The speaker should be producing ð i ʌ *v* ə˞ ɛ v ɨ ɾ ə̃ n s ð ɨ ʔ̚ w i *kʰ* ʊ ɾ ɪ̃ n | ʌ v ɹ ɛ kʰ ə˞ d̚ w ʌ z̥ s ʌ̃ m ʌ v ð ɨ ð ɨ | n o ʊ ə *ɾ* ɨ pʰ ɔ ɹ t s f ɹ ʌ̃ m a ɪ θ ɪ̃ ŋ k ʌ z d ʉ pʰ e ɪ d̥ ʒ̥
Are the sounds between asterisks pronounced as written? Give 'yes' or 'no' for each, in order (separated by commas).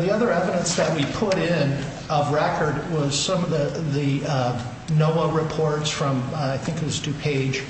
no, no, no